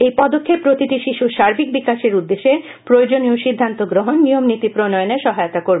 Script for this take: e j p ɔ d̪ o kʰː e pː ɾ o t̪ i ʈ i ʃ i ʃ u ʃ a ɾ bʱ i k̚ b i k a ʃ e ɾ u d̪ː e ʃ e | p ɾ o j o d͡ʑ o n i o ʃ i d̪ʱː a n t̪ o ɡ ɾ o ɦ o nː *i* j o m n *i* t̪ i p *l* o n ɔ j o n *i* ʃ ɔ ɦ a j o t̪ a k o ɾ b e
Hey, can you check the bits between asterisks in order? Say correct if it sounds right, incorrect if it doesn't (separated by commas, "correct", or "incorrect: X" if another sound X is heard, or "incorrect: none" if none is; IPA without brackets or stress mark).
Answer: correct, correct, incorrect: ɾ, incorrect: e